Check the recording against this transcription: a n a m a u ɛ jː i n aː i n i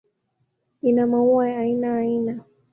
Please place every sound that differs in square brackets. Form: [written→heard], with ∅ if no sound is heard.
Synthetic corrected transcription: [a→i] n a m a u [ɛ→a] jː i n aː i n [i→a]